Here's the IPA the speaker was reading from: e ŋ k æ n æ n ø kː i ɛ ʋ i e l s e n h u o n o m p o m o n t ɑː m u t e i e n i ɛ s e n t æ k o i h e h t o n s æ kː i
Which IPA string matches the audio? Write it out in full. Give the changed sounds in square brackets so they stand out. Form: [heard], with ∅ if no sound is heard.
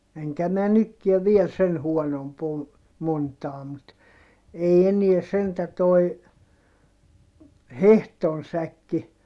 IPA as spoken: e ŋ k æ [m] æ n [y] kː i ɛ ʋ i e l s e n h u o n o m p o m o n t ɑː m u t e i e n i ɛ s e n t æ [t] o i h e h t o n s æ kː i